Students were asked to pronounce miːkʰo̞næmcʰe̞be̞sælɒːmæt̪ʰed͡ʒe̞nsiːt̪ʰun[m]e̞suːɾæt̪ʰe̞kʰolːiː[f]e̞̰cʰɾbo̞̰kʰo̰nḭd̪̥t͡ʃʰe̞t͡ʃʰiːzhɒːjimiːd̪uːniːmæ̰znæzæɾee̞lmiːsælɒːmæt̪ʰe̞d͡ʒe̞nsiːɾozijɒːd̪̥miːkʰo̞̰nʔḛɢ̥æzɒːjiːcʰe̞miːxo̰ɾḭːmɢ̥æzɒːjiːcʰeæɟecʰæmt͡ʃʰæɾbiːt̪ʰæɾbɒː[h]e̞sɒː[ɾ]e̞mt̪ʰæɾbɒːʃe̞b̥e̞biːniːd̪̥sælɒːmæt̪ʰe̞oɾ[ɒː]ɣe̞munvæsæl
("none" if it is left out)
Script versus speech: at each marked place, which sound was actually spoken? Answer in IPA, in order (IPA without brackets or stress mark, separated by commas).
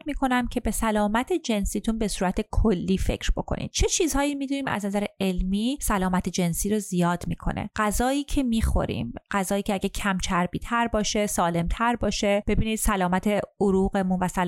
b, f, ʃ, l, uː